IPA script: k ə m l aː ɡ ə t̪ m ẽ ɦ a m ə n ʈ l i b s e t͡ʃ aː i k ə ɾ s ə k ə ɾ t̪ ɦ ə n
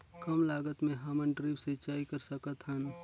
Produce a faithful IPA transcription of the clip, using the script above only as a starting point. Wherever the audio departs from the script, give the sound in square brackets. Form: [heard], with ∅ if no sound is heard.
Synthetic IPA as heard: k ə m l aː ɡ ə t̪ m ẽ ɦ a m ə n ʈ [ɾ] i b s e t͡ʃ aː i k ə ɾ s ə k ə [∅] t̪ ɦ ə n